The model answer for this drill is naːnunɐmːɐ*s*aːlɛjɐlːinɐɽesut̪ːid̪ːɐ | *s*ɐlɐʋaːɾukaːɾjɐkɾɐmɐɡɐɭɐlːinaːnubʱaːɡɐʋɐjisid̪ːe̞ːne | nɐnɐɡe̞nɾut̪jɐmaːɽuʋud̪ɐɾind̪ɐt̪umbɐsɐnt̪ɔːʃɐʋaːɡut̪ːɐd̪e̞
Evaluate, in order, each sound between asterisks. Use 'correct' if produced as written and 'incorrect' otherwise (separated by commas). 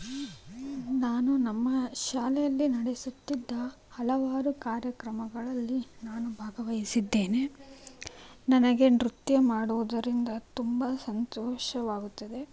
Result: incorrect, incorrect